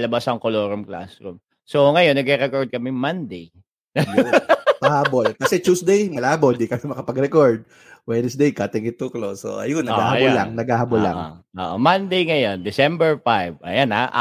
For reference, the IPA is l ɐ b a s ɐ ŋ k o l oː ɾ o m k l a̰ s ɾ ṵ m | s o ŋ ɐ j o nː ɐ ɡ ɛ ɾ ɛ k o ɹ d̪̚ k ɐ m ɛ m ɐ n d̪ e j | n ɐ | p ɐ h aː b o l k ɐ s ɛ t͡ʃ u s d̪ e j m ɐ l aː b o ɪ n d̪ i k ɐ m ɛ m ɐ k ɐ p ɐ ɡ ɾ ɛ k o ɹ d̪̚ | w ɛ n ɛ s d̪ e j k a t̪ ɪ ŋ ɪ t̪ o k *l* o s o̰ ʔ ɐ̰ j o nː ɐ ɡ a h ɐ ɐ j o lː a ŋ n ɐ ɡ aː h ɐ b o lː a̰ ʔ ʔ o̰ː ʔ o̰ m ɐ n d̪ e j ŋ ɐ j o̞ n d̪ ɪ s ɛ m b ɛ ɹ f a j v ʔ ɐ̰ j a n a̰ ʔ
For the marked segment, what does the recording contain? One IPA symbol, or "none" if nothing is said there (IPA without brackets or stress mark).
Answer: l